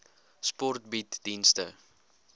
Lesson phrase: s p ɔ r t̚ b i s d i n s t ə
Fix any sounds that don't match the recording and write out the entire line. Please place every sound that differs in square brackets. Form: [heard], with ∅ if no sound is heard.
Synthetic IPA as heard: s p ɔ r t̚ b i [t] d i n s t ə